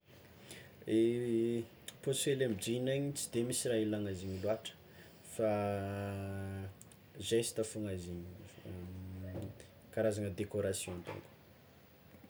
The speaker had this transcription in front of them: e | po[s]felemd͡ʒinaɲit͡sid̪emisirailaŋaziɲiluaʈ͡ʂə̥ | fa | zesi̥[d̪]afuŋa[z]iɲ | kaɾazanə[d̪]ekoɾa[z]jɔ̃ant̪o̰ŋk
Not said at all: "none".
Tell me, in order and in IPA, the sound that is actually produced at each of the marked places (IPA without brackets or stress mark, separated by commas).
s, t̪, z, d̪, s